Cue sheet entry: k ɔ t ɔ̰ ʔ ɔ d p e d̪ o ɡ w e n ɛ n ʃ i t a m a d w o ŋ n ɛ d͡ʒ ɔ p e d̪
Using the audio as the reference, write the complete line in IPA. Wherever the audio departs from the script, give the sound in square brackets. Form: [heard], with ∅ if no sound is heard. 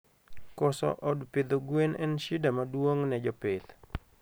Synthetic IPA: k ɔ [s] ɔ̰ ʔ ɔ d p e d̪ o ɡ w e n ɛ n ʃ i [d] a m a d w o ŋ n ɛ d͡ʒ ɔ p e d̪